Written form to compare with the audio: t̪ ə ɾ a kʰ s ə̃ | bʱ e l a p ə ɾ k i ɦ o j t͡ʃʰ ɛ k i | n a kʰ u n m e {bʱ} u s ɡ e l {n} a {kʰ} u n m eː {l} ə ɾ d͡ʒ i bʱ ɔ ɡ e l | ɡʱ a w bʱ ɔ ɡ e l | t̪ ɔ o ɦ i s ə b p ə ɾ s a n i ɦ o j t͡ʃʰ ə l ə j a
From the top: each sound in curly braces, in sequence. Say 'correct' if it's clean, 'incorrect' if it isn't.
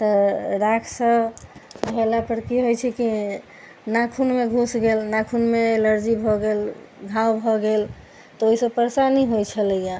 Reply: incorrect: ɡʱ, correct, correct, correct

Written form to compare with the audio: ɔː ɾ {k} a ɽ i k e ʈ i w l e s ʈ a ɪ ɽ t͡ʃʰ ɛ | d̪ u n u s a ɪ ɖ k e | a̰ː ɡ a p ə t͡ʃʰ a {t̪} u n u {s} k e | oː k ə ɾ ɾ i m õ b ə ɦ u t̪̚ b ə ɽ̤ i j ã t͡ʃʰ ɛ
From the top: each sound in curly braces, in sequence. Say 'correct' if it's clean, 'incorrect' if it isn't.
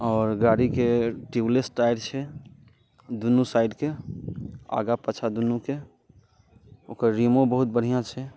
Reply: incorrect: ɡ, incorrect: d̪, incorrect: none

